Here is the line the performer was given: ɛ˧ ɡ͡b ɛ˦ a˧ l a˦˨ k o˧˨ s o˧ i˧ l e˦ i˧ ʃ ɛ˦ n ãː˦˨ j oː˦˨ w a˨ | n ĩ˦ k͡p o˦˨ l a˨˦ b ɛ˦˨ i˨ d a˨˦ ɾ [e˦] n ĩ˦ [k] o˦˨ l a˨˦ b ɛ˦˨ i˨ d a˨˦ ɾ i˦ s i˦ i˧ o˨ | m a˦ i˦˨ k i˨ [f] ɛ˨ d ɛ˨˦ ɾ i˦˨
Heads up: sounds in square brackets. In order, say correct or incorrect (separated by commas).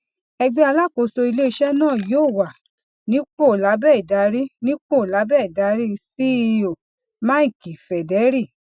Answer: incorrect, incorrect, correct